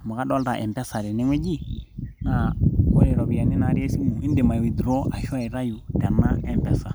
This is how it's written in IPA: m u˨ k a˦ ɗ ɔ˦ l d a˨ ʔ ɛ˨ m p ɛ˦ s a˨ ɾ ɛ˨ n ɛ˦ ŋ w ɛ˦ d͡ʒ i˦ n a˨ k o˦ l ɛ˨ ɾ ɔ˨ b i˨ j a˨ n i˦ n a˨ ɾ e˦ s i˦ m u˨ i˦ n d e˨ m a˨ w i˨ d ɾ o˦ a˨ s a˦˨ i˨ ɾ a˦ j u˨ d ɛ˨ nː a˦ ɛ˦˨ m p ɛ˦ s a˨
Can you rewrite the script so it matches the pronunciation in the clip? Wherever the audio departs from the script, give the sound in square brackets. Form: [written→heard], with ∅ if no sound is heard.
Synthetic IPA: m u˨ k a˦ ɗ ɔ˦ l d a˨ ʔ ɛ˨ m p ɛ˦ s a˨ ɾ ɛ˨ n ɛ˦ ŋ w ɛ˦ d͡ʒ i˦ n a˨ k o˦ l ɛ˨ ɾ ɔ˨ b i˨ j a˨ n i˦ n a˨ ɾ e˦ s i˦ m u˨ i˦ n d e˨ m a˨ w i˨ d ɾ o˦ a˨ [s→ʃ] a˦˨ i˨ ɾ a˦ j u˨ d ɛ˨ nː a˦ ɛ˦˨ m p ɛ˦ s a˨